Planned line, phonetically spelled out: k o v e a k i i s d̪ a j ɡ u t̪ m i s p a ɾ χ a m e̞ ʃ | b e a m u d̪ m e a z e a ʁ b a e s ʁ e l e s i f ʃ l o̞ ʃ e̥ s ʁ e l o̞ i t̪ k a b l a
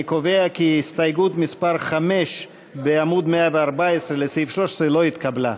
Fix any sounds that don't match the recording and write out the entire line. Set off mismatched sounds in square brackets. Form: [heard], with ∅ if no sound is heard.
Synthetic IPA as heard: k o v e a k i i s [t̪] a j ɡ u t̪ m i s p a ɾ χ a m e̞ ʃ | b e a m u d̪ m e a [v] e a ʁ b a e s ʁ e l e s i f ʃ l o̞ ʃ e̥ s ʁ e l o̞ i t̪ k a b l a